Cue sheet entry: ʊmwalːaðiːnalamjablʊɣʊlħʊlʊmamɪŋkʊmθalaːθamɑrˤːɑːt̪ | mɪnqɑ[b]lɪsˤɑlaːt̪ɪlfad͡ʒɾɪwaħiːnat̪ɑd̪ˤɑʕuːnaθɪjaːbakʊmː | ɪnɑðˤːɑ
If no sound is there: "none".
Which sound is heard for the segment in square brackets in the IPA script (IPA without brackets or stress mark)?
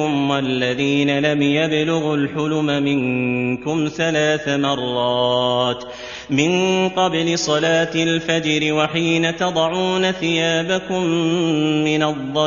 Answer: b